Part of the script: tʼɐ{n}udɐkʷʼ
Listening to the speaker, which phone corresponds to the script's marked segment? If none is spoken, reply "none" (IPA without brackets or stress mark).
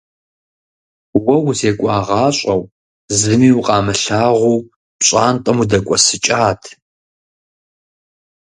m